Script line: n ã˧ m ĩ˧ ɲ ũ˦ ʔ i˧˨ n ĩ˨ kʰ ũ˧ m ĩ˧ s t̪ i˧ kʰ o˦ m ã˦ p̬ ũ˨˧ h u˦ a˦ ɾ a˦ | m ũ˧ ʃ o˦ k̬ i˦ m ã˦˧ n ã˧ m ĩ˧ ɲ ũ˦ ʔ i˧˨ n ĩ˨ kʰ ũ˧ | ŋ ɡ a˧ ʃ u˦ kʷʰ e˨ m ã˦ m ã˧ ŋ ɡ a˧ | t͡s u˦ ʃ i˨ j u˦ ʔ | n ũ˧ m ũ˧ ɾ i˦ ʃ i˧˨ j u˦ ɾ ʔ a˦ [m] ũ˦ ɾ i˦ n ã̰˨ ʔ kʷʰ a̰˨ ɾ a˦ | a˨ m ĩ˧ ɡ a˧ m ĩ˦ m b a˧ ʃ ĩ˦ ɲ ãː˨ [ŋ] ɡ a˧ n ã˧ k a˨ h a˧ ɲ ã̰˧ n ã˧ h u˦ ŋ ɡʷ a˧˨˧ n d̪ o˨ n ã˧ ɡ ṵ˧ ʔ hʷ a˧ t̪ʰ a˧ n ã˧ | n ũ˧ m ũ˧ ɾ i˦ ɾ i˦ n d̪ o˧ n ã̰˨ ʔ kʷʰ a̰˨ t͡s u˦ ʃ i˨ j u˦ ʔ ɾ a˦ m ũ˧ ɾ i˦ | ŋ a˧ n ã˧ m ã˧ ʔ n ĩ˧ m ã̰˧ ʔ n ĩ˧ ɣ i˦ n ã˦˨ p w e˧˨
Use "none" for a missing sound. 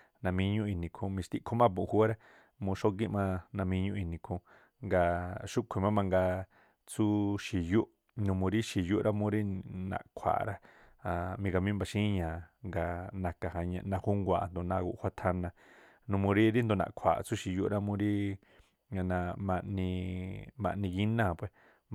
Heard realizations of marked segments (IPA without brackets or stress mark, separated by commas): m, ŋ